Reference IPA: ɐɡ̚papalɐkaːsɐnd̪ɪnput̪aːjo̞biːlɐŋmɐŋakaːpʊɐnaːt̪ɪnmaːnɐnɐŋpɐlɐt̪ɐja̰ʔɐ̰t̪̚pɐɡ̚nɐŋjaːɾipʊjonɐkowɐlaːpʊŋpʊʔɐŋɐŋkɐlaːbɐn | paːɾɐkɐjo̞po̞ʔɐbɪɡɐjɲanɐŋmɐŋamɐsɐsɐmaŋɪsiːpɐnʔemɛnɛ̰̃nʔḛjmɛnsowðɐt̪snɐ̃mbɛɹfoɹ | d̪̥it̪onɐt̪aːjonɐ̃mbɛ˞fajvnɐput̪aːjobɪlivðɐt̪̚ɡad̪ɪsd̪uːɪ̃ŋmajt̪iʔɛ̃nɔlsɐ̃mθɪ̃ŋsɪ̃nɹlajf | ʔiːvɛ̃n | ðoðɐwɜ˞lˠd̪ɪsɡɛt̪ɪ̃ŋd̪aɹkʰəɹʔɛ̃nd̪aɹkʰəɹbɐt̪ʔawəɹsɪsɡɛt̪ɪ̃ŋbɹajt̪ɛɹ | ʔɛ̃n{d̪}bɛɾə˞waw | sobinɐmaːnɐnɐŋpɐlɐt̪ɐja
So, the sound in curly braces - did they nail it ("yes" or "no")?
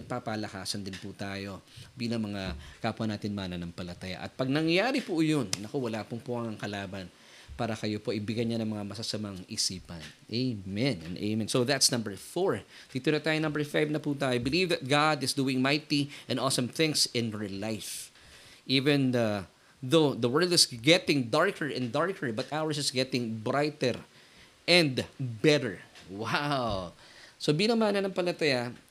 yes